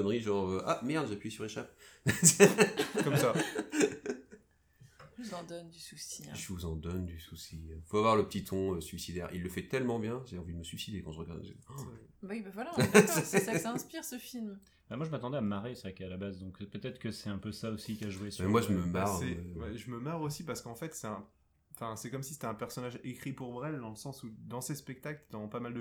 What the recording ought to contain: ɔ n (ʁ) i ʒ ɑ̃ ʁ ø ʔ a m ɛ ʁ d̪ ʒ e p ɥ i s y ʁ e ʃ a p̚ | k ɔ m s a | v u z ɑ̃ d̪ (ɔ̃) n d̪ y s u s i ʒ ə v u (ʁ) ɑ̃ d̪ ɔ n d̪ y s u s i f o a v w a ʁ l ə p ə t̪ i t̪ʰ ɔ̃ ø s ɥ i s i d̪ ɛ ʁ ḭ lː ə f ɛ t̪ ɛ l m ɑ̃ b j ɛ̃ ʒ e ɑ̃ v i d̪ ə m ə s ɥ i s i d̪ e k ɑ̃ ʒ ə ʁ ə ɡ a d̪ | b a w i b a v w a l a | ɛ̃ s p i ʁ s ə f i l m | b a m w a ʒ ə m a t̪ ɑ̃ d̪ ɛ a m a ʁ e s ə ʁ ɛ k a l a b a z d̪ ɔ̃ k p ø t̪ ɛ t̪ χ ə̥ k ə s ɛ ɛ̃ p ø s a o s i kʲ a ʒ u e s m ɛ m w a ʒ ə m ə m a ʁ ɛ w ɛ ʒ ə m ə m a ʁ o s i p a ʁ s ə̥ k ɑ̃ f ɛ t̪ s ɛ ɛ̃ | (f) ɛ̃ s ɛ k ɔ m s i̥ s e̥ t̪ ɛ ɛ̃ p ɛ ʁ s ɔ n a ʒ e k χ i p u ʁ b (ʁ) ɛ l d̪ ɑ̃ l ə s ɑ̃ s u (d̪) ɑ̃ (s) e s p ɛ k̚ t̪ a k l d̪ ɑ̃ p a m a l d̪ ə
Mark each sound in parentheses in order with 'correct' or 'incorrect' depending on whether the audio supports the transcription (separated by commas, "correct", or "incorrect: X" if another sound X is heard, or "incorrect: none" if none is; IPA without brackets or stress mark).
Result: correct, incorrect: ɔ, incorrect: z, correct, correct, correct, correct